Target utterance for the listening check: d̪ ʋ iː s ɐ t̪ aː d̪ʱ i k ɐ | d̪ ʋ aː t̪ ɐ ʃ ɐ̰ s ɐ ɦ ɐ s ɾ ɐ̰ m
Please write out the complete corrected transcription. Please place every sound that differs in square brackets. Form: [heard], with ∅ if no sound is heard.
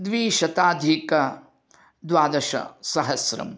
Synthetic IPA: d̪ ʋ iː [ʃ] ɐ t̪ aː d̪ʱ i k ɐ | d̪ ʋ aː [d̪] ɐ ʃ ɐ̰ s ɐ ɦ ɐ s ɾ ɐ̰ m